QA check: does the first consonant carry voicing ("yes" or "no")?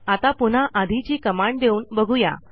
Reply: no